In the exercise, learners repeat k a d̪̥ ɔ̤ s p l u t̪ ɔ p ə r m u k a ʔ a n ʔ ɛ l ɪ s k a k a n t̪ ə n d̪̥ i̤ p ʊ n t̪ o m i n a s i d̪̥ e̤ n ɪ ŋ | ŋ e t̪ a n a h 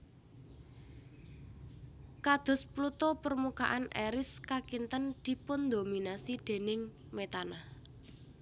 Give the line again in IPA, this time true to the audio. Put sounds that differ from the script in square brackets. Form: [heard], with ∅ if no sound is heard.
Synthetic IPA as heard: k a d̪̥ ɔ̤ s p l u t̪ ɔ p ə r m u k a ʔ a n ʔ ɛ [ɾ] ɪ s k a k [i] n t̪ ə n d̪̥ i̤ p ʊ n [d̪] o m i n a s i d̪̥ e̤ n ɪ ŋ | [m] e t̪ a n a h